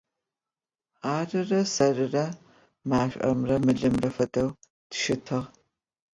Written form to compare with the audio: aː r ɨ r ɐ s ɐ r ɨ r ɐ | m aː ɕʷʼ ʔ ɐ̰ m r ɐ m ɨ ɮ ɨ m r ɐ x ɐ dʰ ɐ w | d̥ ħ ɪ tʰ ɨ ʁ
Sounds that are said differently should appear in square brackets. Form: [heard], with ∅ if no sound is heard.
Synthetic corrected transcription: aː r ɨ r ɐ s ɐ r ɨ r ɐ | m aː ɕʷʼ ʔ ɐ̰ m r ɐ m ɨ ɮ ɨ m r ɐ [f] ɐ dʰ ɐ w | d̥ [ʃ] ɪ tʰ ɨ ʁ